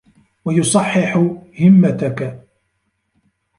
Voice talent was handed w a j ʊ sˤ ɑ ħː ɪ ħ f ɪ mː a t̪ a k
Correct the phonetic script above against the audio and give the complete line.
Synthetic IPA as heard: w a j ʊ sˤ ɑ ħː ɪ ħ h ɪ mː a t̪ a k